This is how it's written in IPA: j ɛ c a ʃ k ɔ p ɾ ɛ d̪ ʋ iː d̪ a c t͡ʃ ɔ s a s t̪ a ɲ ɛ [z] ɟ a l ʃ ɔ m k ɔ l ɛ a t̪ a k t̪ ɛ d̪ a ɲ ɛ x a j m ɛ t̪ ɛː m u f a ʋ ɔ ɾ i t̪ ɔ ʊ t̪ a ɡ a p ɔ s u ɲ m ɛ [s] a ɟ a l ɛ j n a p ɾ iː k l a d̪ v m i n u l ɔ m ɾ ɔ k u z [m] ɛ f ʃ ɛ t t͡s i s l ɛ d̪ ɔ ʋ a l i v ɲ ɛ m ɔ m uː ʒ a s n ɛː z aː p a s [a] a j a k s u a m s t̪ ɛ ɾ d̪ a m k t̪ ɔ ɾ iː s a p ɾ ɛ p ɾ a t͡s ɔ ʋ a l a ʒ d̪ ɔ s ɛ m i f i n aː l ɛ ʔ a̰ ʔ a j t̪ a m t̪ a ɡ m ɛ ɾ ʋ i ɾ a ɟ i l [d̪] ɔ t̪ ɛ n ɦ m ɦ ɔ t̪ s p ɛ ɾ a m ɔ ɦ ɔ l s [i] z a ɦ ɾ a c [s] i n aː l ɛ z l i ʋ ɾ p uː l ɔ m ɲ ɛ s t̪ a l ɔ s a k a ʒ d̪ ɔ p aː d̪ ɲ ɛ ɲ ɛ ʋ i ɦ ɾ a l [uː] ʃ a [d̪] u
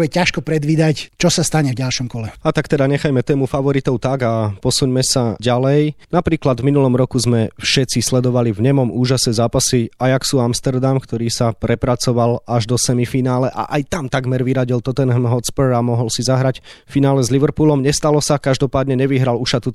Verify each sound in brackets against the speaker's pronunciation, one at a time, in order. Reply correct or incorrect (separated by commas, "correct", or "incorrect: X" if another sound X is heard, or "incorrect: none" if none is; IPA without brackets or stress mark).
incorrect: v, correct, correct, incorrect: i, incorrect: t̪, correct, incorrect: f, incorrect: u, incorrect: t̪